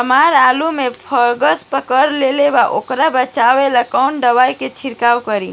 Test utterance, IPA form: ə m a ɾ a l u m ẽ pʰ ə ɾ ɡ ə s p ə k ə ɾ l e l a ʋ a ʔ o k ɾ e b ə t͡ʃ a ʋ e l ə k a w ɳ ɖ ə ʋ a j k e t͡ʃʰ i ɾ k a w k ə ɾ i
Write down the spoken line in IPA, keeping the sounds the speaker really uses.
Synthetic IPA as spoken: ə m a ɾ a l u m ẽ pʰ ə ɾ ɡ ə s p ə k ə ɾ l e l e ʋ a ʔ o k ɾ a b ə t͡ʃ a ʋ e l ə k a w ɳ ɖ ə ʋ a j k e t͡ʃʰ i ɾ k a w k ə ɾ i